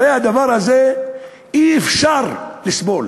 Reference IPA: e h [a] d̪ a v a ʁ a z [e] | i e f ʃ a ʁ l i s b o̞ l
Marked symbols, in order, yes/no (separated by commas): yes, yes